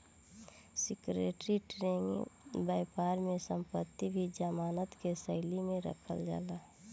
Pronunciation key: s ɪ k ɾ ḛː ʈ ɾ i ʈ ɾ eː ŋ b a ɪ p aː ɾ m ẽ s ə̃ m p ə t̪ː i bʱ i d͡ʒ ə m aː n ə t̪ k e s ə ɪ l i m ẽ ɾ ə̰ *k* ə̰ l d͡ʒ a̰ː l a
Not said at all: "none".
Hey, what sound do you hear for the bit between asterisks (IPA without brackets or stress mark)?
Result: kʰ